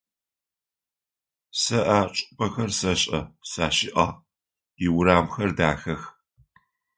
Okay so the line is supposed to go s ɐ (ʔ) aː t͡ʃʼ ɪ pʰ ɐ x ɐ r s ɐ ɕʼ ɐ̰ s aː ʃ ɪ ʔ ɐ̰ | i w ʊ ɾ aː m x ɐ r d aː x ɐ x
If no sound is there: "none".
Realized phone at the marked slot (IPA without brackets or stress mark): ʔ